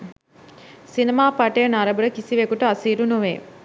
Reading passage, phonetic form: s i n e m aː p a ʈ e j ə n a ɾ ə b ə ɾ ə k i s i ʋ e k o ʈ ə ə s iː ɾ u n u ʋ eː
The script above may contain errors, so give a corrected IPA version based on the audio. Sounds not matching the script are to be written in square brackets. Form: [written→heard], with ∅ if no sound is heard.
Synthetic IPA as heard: s i n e m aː p a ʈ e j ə n a ɾ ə b ə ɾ ə k i s i ʋ e k [o→u] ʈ ə [ə→a] s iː ɾ u n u ʋ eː